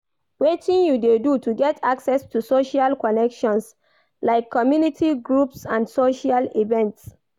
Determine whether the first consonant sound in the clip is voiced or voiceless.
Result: voiced